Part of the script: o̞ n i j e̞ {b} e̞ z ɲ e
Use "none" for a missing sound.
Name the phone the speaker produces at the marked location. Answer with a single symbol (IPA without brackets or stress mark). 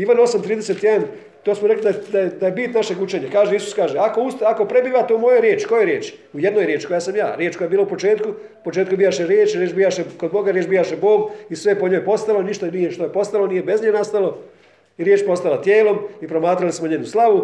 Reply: b